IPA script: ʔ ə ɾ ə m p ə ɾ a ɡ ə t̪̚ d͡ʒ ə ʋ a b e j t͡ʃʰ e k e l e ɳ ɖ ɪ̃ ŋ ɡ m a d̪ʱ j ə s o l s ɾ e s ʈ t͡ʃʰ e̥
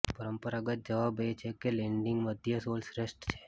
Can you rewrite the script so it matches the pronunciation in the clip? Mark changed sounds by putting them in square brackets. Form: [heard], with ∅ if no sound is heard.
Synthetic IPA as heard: [p] ə ɾ ə m p ə ɾ a ɡ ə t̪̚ d͡ʒ ə ʋ a b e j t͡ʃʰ e k e l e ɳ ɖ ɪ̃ ŋ ɡ m [ə] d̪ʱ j ə s o l s ɾ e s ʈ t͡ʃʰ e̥